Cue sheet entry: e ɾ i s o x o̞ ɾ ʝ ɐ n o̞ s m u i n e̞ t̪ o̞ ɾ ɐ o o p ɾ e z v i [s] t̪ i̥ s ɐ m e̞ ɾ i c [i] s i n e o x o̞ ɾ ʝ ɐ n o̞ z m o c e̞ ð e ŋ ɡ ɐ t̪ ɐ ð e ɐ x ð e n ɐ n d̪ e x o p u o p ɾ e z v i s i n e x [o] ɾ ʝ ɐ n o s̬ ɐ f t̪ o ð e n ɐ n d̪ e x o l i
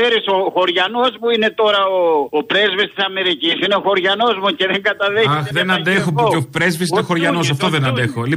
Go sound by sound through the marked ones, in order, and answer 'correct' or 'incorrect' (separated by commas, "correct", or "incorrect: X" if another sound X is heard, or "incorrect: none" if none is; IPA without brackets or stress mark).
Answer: correct, correct, correct